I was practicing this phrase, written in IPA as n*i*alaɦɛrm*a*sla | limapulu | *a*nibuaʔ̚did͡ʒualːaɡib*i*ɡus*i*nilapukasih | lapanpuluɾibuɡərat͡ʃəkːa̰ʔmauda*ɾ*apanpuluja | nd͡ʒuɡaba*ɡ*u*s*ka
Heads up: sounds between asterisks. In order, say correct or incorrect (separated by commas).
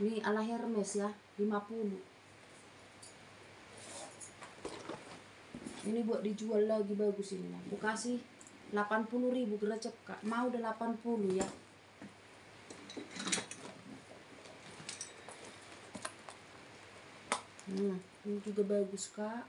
correct, incorrect, incorrect, incorrect, correct, incorrect, correct, correct